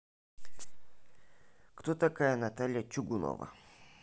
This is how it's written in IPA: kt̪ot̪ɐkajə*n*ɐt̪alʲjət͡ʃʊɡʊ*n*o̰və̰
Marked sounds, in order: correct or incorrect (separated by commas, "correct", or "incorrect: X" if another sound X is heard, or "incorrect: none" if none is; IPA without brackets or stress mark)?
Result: correct, correct